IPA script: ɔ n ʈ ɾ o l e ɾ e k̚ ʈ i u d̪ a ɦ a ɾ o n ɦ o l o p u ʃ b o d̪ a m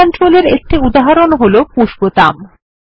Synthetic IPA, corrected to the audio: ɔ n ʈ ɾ o l e ɾ e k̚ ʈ i u d̪ a ɦ a ɾ o n ɦ o l o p u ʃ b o t̪ a m